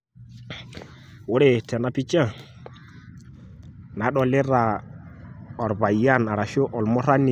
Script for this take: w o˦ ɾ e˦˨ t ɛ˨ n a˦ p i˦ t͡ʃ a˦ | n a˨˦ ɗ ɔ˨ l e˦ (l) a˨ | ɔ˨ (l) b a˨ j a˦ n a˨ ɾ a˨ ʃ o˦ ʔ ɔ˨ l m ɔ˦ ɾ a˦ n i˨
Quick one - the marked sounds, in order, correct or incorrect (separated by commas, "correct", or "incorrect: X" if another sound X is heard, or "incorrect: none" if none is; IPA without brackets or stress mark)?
incorrect: ɾ, incorrect: ɾ